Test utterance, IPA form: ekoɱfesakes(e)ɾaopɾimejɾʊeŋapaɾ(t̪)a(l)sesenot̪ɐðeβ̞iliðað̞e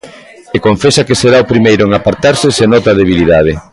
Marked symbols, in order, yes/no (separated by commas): yes, yes, no